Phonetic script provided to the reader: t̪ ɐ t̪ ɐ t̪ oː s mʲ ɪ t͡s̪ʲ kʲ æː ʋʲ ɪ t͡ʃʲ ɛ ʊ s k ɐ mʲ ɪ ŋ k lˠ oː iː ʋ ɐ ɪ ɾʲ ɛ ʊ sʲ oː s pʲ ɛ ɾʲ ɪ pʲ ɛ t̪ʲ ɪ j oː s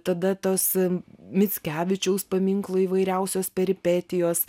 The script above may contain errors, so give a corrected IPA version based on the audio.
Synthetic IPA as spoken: t̪ ɐ d̪ ɐ t̪ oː s mʲ ɪ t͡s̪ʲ kʲ æː ʋʲ ɪ t͡ʃʲ ɛ ʊ s p ɐ mʲ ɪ ŋ k lˠ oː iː ʋ ɐ ɪ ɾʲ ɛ ʊ sʲ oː s pʲ ɛ ɾʲ ɪ pʲ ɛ t̪ʲ ɪ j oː s